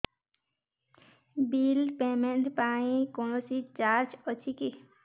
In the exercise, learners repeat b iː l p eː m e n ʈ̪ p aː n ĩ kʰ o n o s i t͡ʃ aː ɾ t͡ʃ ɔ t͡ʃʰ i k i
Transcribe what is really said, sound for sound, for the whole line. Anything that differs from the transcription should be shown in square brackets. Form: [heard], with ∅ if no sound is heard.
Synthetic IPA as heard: b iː l p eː m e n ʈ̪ p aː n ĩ [k] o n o s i t͡ʃ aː ɾ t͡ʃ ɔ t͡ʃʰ i k i